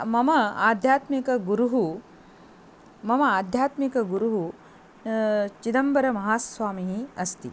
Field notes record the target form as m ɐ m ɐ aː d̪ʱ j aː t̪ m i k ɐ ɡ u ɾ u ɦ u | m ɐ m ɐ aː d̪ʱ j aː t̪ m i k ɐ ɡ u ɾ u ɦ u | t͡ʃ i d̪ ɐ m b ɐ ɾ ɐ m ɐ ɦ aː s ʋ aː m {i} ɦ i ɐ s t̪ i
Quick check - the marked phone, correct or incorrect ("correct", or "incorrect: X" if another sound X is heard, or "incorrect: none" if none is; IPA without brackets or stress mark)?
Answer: correct